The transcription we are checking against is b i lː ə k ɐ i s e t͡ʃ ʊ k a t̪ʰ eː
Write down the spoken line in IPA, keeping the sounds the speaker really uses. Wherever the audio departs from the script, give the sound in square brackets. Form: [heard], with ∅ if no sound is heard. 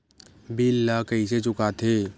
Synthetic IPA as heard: b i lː [a] k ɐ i s e t͡ʃ ʊ k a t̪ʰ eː